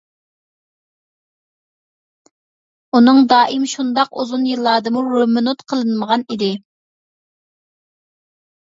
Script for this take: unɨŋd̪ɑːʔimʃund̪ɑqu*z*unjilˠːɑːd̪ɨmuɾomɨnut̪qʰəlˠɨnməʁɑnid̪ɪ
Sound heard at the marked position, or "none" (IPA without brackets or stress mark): z